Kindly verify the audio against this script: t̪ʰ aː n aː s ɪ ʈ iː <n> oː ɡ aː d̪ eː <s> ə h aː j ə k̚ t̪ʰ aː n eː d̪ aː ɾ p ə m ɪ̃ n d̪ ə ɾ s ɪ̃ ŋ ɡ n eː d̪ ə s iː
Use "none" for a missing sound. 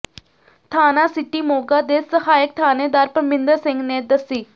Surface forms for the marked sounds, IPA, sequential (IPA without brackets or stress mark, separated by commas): m, s